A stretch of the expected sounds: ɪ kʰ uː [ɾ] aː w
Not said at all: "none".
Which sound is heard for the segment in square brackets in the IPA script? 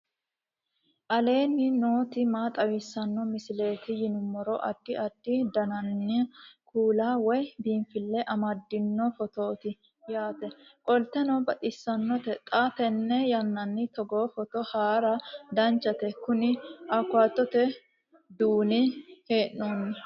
l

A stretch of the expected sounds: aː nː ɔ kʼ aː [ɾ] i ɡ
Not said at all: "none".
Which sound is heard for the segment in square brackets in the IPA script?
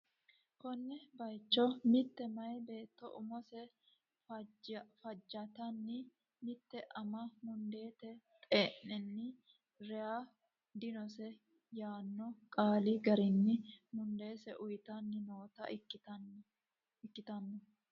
l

